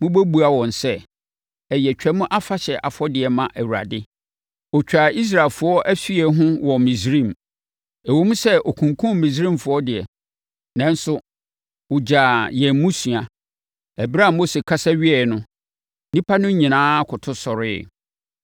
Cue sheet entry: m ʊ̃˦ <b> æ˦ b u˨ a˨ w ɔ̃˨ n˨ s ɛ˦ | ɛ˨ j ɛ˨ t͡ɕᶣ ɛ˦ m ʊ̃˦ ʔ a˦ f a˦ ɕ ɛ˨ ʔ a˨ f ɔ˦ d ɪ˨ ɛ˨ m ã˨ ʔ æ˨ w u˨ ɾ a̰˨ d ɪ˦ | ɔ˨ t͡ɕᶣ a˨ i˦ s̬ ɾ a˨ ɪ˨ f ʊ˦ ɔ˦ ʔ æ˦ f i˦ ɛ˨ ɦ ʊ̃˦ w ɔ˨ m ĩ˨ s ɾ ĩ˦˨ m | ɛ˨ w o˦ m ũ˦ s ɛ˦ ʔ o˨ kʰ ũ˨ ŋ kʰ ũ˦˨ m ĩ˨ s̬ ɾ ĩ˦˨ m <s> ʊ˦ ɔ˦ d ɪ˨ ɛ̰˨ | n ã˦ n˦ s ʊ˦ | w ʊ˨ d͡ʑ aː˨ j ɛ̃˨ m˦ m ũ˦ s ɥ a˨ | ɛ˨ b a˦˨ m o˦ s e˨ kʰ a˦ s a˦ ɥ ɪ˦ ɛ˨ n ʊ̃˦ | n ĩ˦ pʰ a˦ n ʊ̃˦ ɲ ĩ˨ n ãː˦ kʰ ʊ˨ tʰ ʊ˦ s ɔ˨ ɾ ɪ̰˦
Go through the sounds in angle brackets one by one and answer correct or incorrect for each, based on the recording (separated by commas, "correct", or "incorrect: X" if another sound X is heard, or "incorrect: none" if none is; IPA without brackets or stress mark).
correct, incorrect: f